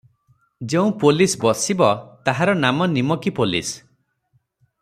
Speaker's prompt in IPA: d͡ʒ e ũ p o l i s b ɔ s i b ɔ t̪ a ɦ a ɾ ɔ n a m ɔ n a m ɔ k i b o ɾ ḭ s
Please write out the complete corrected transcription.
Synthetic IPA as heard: d͡ʒ e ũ p o l i s b ɔ s i b ɔ t̪ a ɦ a ɾ ɔ n a m ɔ n i m ɔ k i p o l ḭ s